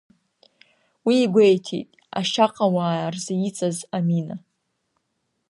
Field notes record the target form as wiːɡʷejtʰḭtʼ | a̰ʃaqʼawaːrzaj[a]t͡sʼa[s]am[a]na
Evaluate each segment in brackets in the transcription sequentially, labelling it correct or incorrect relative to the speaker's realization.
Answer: incorrect: i, incorrect: z, incorrect: i

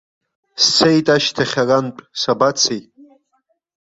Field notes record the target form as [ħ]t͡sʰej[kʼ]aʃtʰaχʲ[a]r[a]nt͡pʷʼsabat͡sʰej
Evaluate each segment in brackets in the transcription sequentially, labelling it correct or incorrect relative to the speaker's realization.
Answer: incorrect: s, incorrect: tʼ, correct, correct

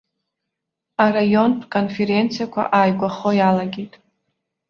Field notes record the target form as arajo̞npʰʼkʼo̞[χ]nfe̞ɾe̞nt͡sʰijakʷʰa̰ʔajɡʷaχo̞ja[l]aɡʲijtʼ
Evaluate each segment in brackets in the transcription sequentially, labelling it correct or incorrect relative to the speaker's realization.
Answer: incorrect: none, correct

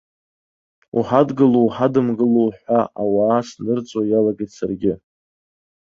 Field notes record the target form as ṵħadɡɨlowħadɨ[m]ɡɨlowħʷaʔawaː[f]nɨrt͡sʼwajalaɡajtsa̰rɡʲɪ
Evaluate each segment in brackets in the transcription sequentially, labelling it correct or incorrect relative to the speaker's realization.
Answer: correct, incorrect: s

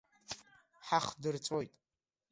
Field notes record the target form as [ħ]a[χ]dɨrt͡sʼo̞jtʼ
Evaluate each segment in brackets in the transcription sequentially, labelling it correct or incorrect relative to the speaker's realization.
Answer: correct, correct

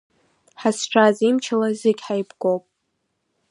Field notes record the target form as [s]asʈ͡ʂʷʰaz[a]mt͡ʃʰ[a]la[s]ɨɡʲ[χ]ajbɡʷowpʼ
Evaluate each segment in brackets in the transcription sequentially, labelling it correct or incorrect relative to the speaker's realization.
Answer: incorrect: ħ, incorrect: i, correct, incorrect: z, incorrect: ħ

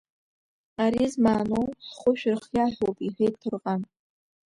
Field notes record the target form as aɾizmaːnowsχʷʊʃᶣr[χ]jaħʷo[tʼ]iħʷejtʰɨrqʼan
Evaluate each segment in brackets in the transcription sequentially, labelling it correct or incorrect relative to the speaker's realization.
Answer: correct, incorrect: pʼ

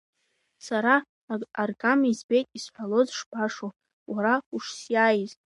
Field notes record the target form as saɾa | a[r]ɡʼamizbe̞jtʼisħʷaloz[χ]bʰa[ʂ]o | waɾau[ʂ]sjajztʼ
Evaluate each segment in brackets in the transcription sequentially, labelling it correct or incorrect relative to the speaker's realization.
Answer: correct, incorrect: ʂ, correct, correct

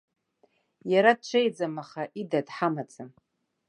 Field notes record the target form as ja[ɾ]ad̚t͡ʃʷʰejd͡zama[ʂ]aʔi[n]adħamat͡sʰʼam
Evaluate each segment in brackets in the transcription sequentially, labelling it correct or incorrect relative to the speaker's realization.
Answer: correct, incorrect: χ, incorrect: d

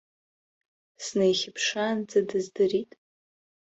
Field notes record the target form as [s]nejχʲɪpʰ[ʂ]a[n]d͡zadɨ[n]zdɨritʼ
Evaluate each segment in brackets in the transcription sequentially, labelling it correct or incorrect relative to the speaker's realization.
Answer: correct, correct, correct, incorrect: none

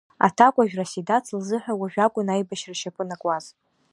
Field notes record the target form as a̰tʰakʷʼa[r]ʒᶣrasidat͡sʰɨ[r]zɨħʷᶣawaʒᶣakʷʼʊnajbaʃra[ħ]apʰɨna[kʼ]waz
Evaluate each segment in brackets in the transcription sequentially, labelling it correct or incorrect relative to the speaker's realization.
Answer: incorrect: none, incorrect: l, incorrect: ʃ, correct

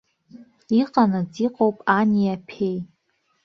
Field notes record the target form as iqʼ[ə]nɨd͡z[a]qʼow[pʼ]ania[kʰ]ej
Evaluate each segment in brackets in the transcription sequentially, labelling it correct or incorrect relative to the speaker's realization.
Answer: incorrect: a, incorrect: i, correct, incorrect: pʰ

